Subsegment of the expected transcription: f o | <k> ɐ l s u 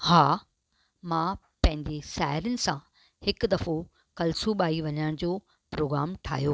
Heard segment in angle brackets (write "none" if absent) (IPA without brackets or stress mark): k